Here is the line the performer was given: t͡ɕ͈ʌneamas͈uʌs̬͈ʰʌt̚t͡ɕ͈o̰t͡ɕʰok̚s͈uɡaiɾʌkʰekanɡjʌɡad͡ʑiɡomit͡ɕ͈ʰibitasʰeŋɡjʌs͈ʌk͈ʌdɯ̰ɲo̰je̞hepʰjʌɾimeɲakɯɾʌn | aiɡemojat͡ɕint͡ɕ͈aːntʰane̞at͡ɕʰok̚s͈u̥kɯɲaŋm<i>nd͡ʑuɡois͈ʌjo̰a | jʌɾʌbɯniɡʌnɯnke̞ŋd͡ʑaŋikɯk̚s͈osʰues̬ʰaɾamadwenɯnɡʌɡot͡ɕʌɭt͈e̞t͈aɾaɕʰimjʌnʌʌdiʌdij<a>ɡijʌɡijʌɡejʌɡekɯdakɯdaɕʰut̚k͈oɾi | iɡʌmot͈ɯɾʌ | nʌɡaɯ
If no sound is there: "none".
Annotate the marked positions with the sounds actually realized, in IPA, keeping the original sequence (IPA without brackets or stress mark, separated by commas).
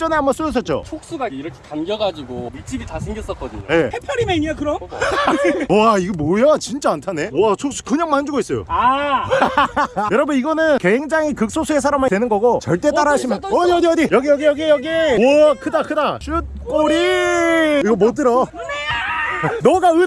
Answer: a, ʌ